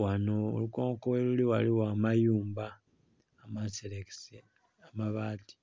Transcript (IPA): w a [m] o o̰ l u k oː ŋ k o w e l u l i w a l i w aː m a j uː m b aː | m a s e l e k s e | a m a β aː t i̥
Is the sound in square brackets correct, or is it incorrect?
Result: incorrect